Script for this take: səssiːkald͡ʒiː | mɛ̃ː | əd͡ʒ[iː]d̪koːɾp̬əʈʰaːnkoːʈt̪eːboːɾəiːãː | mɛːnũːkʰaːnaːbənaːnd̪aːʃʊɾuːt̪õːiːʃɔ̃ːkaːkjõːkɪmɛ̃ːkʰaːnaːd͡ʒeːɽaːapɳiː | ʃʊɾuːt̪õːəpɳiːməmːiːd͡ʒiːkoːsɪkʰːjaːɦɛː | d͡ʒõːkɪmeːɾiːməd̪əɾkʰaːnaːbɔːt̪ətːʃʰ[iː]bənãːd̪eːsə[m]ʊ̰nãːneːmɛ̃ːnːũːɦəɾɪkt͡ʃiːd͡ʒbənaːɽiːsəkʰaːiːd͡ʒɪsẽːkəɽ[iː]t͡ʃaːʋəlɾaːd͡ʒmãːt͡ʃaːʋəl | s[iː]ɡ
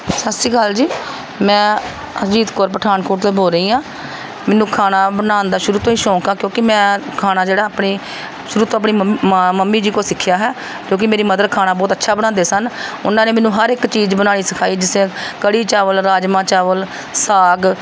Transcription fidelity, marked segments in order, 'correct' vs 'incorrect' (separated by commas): correct, incorrect, incorrect, correct, incorrect